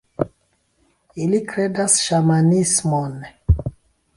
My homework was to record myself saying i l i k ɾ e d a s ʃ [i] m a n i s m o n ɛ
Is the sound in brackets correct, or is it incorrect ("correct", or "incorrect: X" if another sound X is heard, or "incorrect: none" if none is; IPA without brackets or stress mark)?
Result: incorrect: a